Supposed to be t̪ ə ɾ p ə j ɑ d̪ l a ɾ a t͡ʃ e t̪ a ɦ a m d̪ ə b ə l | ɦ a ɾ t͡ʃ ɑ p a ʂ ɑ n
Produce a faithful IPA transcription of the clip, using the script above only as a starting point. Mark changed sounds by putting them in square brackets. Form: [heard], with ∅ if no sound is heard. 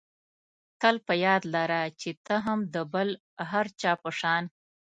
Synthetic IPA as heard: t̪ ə [l] p ə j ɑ d̪ l a ɾ a t͡ʃ e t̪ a ɦ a m d̪ ə b ə l | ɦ a ɾ t͡ʃ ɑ p [ə] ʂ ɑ n

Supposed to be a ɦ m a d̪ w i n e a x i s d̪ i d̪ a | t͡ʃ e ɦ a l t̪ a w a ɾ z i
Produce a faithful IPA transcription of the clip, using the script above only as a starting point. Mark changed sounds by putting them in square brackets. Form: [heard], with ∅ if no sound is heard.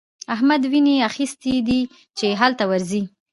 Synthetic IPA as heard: a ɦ m a d̪ w i n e a x i s [t̪] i d̪ [i] | t͡ʃ e ɦ a l t̪ a w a ɾ z i

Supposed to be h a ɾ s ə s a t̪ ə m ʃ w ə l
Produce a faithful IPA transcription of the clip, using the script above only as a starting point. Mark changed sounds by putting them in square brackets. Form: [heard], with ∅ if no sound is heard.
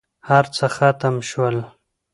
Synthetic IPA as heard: h a ɾ [t͡s] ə [x] a t̪ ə m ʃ w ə l

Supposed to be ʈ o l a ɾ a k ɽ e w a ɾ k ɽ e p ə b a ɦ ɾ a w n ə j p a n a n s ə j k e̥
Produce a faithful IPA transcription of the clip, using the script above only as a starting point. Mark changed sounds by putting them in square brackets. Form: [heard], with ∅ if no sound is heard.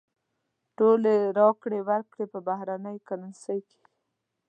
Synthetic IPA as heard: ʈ o l [e] ɾ [ɑ] k ɽ e w a ɾ k ɽ e p ə b a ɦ ɾ a [∅] n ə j [k] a n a n s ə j k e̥

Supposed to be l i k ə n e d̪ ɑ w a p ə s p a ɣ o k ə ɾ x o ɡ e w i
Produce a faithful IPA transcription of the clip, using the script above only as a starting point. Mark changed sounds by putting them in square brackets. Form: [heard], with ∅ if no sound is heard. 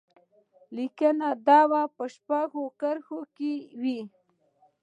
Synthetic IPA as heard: l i k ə n [a] d̪ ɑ w a p ə [ʃ] p a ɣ o k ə ɾ x o [k] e w i

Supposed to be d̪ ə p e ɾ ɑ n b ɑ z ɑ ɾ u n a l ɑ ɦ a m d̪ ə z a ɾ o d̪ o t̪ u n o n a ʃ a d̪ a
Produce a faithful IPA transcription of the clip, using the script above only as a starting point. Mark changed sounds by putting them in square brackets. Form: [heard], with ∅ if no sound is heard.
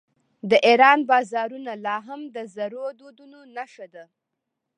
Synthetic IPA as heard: d̪ ə [ʔ] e ɾ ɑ n b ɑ z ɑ ɾ u n a l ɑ ɦ a m d̪ ə z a ɾ o d̪ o [d̪] u n o n a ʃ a d̪ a

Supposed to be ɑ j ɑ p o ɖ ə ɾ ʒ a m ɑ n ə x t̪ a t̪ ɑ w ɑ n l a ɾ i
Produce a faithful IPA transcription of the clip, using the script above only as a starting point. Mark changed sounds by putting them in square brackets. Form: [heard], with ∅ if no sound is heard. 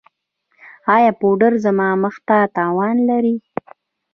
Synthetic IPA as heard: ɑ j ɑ p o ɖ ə ɾ [z] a m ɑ [m] ə x t̪ a t̪ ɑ w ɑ n l a ɾ i

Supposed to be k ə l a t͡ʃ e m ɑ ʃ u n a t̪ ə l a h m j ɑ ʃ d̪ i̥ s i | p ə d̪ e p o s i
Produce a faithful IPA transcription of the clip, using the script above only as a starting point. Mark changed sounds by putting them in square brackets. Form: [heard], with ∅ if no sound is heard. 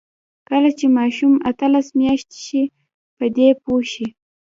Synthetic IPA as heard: k ə l a t͡ʃ e m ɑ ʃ u [m] a t̪ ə l a [s] m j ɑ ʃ [t̪] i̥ [ʃ] i | p ə d̪ e p o [ʃ] i

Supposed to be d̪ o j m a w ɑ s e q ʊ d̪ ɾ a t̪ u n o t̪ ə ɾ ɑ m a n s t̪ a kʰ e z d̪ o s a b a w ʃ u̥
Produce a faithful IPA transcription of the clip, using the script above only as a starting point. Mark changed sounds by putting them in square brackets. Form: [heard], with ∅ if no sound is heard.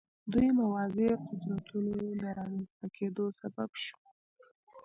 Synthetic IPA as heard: d̪ [u] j m a w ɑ [z] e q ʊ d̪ ɾ a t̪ u n o [d̪] ə ɾ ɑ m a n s t̪ a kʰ e [∅] d̪ o s a b a [b] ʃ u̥

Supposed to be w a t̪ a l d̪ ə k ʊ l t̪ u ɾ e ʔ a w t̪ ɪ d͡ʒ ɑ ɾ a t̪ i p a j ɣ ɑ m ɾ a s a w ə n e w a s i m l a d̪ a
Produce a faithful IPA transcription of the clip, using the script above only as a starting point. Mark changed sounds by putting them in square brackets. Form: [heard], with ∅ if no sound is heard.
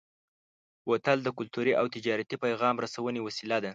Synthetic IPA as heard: w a t̪ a l d̪ ə k ʊ l t̪ u ɾ [i] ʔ a w t̪ ɪ d͡ʒ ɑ ɾ a t̪ i p a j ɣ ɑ m ɾ a s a w ə n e w a s i [∅] l a d̪ a

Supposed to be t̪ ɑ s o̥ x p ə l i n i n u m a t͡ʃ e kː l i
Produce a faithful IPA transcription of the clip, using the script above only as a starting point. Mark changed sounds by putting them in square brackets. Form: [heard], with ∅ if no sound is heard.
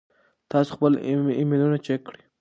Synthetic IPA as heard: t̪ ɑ s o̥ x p ə l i [m] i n u [n] a t͡ʃ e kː [ɽ] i

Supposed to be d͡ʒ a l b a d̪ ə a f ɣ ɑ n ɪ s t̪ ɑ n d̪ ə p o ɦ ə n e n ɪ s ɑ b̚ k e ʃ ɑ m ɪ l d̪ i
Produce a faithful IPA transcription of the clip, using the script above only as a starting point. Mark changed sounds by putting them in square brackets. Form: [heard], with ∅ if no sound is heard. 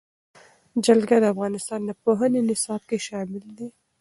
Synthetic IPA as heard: d͡ʒ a l [ɡ] a d̪ ə a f ɣ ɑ n ɪ s t̪ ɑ n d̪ ə p o ɦ ə n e n ɪ s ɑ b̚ k e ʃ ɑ m ɪ l d̪ i

